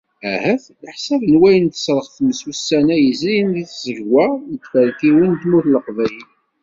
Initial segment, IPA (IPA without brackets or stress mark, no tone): æ